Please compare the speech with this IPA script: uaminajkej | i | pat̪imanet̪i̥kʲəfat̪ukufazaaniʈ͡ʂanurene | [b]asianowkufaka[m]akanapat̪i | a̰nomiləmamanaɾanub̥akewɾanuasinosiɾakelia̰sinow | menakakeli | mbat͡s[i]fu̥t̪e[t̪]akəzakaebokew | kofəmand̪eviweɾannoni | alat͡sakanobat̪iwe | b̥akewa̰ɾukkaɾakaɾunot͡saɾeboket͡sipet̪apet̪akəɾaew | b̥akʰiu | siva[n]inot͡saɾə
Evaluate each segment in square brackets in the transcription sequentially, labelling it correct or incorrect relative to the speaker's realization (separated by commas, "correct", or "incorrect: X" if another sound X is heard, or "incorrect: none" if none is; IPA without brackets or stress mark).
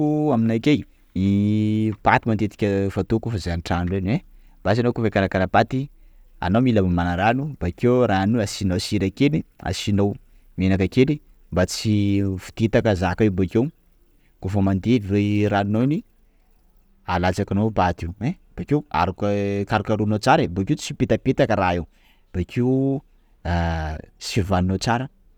correct, incorrect: n, correct, correct, correct